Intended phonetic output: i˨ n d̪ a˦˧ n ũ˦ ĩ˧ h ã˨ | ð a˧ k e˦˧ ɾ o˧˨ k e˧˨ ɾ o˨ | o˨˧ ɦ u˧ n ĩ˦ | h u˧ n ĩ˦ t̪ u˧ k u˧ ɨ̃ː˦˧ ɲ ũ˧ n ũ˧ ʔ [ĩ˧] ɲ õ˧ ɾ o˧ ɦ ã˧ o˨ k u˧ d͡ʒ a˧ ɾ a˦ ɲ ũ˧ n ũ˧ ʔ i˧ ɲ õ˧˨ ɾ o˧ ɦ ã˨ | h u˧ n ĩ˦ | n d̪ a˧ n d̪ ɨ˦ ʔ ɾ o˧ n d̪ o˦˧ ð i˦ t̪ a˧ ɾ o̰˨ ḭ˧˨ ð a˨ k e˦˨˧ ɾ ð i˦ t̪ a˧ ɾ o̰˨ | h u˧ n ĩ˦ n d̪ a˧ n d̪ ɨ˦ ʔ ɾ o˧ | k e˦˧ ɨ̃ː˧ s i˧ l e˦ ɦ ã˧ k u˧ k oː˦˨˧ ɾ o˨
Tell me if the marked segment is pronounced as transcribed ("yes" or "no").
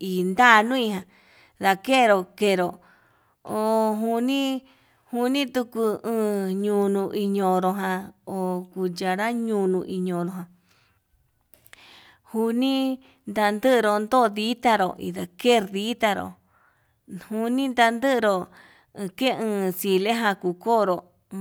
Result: no